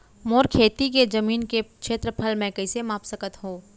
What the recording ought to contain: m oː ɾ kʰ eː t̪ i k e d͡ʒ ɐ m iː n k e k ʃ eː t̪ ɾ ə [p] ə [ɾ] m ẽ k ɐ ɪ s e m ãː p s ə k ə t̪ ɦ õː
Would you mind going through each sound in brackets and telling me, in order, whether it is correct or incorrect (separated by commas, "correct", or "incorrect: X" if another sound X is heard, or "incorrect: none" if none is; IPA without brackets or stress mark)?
incorrect: pʰ, incorrect: l